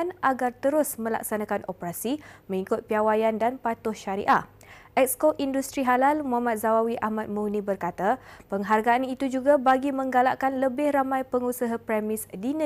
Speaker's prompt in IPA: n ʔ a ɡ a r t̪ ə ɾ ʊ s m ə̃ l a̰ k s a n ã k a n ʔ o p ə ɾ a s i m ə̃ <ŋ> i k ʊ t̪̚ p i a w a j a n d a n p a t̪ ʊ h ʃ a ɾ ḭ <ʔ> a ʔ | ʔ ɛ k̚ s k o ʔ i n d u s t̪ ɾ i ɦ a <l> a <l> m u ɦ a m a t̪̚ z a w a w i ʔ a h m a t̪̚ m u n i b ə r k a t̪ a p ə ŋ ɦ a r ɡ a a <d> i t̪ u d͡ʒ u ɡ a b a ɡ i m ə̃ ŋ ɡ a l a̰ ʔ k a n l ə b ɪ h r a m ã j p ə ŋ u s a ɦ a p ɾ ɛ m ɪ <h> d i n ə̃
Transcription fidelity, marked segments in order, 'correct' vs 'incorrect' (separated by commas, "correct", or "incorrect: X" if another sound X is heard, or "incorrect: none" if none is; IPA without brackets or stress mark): correct, correct, correct, correct, incorrect: n, incorrect: s